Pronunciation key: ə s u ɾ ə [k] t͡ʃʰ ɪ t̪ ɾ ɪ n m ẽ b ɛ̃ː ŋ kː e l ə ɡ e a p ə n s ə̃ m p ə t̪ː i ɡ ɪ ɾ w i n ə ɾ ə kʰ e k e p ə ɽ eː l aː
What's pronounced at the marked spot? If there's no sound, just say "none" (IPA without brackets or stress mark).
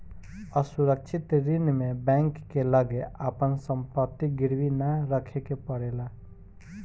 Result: k